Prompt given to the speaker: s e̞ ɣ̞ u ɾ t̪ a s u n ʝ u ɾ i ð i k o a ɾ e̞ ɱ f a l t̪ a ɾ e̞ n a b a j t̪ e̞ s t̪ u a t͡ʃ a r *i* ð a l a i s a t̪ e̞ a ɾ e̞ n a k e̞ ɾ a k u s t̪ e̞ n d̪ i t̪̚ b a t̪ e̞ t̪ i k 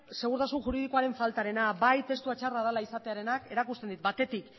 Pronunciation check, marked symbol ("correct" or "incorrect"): incorrect